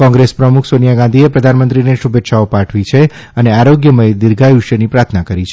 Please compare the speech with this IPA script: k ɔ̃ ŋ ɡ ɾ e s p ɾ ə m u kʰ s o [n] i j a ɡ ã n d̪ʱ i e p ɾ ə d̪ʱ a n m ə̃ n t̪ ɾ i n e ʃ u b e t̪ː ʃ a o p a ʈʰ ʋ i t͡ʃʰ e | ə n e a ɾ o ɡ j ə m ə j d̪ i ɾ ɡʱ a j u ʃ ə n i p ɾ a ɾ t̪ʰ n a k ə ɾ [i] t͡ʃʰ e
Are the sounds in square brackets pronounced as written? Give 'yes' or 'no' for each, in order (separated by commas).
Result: yes, yes